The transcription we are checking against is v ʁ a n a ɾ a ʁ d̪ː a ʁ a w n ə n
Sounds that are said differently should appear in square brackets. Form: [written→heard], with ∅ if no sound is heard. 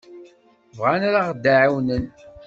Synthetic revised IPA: v ʁ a n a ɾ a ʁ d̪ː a [ʁ→ʕ] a w n ə n